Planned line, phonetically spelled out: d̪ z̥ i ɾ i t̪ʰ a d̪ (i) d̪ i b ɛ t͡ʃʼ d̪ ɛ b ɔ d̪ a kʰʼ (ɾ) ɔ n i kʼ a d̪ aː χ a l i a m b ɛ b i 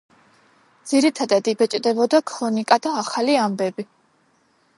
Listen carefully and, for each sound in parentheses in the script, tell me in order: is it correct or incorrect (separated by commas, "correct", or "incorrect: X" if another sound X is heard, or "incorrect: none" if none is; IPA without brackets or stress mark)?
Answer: incorrect: a, correct